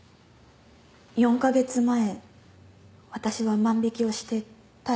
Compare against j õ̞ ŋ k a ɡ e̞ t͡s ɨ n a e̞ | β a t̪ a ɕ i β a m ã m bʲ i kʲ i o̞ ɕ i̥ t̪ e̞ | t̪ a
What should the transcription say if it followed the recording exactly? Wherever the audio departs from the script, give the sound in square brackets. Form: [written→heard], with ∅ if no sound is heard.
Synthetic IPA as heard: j õ̞ ŋ k a ɡ e̞ t͡s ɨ [n→m] a e̞ | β a t̪ a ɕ i β a m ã m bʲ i kʲ i o̞ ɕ i̥ t̪ e̞ | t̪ a